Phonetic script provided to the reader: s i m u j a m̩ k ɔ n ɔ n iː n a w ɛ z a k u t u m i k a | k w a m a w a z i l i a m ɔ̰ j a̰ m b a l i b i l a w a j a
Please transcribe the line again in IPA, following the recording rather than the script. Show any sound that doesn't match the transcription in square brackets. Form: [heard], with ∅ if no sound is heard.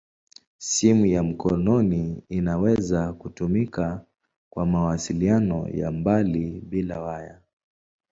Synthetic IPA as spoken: s i m u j a m̩ k ɔ n ɔ n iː n a w ɛ z a k u t u m i k a | k w a m a w a [s] i l i a [n] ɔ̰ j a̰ m b a l i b i l a w a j a

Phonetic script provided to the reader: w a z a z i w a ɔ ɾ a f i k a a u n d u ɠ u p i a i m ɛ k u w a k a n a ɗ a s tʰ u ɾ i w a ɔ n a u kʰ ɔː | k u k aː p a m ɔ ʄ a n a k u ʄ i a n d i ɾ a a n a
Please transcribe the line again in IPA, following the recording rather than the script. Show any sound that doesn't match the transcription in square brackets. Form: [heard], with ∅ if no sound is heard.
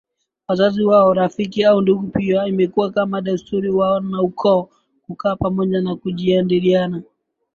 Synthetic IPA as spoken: w a z a z i w a ɔ ɾ a f i k [i] a u n d u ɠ u p i a i m ɛ k u w a k a [m] a ɗ a s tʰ u ɾ i w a ɔ n a u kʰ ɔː | k u k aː p a m ɔ ʄ a n a k u ʄ i a n d i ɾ [i] a n a

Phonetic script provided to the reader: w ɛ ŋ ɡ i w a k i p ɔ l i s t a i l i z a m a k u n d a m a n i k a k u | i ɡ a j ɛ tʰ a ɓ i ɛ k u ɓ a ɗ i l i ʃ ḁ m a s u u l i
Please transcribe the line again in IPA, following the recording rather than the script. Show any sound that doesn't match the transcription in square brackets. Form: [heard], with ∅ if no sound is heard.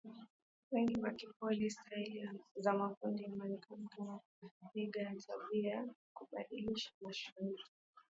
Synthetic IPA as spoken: w ɛ ŋ ɡ i w a k i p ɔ l i s t a i l i z a m a k u n d [i] m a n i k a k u | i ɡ a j [a] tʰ a ɓ i [a] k u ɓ a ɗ i l i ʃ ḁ m a [ʃ] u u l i

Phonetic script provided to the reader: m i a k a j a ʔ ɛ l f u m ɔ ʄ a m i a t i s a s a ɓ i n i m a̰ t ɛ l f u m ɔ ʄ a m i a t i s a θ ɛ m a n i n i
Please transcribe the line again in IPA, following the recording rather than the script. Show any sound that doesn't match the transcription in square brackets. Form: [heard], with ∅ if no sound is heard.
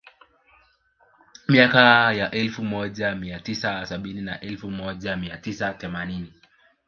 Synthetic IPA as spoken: m i a k a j a ʔ ɛ l f u m ɔ ʄ a m i a t i s a s a ɓ i n i [n] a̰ [ʔ] ɛ l f u m ɔ ʄ a m i a t i s a θ ɛ m a n i n i

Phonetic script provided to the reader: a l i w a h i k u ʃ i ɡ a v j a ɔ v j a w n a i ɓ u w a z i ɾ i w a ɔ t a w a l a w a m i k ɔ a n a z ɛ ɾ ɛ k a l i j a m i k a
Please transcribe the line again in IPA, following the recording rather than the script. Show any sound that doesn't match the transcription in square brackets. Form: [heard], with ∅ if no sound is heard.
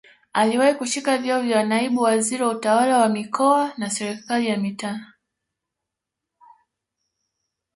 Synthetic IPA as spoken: a l i w a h i k u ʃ i [k] a v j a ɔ v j a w n a i ɓ u w a z i ɾ i w a [u] t a w a l a w a m i k ɔ a n a [s] ɛ ɾ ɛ k a l i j a m i [t] a

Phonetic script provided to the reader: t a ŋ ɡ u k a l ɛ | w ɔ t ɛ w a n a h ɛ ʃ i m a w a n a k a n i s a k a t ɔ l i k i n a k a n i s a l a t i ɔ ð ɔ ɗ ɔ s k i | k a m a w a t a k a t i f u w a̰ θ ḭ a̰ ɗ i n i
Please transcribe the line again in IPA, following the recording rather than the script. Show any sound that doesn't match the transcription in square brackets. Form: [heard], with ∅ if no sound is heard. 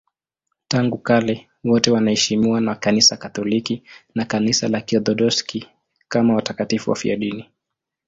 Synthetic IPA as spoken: t a ŋ ɡ u k a l ɛ | w ɔ t ɛ w a n a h ɛ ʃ i m [i] w a n a k a n i s a k a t ɔ l i k i n a k a n i s a l a [k] i ɔ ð ɔ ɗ ɔ s k i | k a m a w a t a k a t i f u w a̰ [f] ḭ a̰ ɗ i n i

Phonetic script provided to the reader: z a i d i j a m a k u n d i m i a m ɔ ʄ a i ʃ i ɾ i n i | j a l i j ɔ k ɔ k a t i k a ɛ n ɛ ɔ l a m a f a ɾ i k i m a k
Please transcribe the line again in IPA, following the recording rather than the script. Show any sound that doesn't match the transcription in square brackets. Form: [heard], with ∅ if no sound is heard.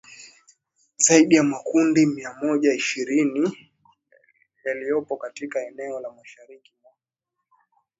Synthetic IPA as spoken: z a i [ɗ] i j a m a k u n d i m i a m ɔ ʄ a i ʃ i ɾ i n i | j a l i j ɔ [p] ɔ k a t i k a ɛ n ɛ ɔ l a m a [ʃ] a ɾ i k i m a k

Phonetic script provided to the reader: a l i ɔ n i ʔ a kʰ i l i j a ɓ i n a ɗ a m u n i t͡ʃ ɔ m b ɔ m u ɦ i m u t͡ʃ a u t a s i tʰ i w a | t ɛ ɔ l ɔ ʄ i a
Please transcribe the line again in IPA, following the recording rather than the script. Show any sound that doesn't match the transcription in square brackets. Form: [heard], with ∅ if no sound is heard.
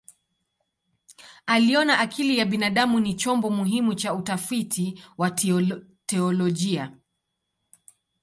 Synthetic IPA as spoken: a l i ɔ n [a] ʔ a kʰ i l i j a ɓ i n a ɗ a m u n i t͡ʃ ɔ m b ɔ m u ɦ i m u t͡ʃ a u t a [f] i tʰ i w a | t ɛ ɔ l ɔ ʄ i a

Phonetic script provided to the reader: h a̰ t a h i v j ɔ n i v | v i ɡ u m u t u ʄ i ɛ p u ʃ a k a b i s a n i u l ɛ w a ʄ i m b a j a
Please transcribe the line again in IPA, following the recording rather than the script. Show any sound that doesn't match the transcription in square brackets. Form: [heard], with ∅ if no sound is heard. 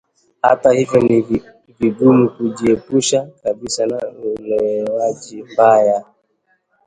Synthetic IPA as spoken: h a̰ t a h i v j ɔ n i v | v i ɡ u m u [k] u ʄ i ɛ p u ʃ a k a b i s a n [a] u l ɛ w a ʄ i m b a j a

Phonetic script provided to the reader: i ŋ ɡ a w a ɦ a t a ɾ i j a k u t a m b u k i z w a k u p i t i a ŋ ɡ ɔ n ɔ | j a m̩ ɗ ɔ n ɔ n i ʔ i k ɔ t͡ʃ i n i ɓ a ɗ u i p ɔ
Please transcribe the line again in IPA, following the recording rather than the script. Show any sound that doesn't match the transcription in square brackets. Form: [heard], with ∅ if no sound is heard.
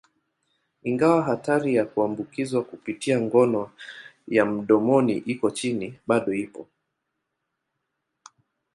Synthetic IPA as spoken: i ŋ ɡ a w a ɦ a t a ɾ i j a k u [∅] a m b u k i z w a k u p i t i a ŋ ɡ ɔ n ɔ | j a m̩ ɗ ɔ [m] ɔ n i ʔ i k ɔ t͡ʃ i n i ɓ a ɗ [ɔ] i p ɔ

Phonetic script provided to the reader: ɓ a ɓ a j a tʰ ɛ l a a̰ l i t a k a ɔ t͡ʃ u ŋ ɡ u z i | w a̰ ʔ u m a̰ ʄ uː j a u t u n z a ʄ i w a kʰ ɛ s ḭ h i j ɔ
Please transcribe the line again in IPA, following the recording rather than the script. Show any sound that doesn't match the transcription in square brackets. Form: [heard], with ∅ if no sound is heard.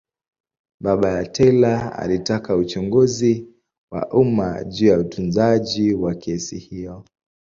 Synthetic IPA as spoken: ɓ a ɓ a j a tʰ ɛ l a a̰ l i t a k a [u] t͡ʃ u ŋ ɡ u z i | w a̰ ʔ u m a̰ ʄ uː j a u t u n z a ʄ i w a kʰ ɛ s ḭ h i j ɔ

